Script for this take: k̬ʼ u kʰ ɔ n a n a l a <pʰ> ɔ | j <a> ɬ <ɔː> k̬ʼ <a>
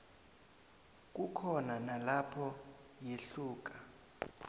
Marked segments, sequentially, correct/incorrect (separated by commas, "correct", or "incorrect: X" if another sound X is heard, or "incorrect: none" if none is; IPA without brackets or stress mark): correct, incorrect: e, incorrect: uː, correct